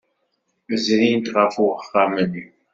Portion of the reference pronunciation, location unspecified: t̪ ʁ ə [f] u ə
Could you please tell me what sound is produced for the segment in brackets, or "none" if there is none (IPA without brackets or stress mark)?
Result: f